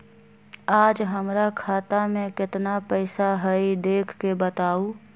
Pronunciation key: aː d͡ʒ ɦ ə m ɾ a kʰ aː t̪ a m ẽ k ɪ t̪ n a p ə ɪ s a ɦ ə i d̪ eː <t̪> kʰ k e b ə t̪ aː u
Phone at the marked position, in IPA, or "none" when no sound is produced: none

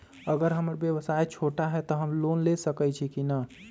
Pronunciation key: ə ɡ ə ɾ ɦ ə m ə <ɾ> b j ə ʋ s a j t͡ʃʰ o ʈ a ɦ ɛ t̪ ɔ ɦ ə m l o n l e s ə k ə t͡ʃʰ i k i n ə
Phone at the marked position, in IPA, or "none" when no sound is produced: ɾ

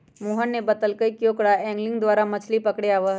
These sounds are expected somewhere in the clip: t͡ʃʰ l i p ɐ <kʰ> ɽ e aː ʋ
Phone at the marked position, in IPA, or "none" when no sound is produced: k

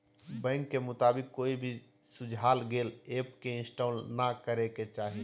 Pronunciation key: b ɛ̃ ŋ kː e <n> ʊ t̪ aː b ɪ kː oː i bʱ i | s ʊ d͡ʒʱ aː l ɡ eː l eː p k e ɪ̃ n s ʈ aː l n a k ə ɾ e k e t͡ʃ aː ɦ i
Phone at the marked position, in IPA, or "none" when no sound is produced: m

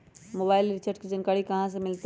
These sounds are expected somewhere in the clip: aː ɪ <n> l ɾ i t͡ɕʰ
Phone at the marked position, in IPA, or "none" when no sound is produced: none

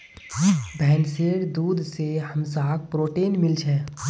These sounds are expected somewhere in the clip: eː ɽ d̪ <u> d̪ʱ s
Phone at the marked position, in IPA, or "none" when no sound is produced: uː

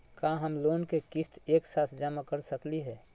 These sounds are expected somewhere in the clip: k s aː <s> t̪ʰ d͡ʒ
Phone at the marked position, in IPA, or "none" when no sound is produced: none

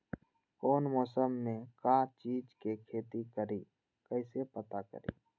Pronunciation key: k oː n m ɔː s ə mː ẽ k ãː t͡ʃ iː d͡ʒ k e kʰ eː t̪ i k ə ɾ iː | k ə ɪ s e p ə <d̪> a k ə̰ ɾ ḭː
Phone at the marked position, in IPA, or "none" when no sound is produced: t̪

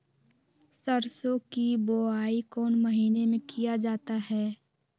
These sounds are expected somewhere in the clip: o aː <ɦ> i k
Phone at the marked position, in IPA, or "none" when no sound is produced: none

